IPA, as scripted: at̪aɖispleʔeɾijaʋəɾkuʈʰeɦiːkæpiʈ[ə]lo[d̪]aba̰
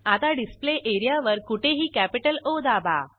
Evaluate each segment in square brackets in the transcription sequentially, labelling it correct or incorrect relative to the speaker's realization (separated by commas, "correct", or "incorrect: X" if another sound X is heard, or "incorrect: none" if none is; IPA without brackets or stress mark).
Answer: correct, correct